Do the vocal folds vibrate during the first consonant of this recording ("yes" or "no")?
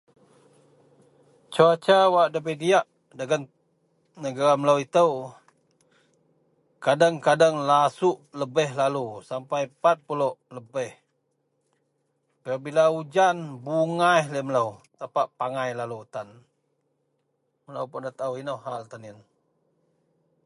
no